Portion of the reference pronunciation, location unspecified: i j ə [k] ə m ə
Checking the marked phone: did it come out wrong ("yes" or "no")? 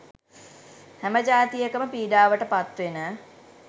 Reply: no